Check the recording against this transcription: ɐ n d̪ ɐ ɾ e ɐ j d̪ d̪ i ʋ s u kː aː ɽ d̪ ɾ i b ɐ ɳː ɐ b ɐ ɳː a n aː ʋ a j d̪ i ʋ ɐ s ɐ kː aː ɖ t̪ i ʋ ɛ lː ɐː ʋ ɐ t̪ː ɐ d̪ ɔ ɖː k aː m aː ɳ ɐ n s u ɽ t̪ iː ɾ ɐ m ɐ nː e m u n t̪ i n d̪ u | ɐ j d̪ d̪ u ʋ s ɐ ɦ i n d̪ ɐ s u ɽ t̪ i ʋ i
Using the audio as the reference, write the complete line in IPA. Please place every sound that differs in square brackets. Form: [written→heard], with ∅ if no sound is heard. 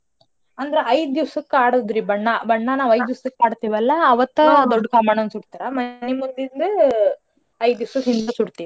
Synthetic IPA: ɐ n d̪ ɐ ɾ e ɐ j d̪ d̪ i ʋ s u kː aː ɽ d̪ ɾ i b ɐ ɳː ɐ b ɐ ɳː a n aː ʋ [a→ɐ] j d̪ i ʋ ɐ s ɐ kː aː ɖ t̪ i ʋ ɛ lː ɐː ʋ ɐ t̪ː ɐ d̪ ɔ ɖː k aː m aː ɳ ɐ n s u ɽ t̪ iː ɾ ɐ m ɐ [nː→n] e m u n [t̪→d̪] i n d̪ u | ɐ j d̪ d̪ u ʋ s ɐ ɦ i n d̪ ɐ s u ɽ t̪ i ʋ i